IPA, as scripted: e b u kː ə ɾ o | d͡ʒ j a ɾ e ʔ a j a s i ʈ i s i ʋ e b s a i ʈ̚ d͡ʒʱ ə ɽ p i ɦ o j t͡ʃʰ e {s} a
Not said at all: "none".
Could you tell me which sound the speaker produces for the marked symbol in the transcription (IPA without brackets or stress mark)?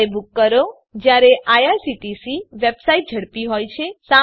s